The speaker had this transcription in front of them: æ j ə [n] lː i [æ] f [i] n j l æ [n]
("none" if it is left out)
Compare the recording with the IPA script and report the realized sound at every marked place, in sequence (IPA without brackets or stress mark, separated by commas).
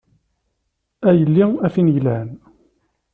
none, æ, i, n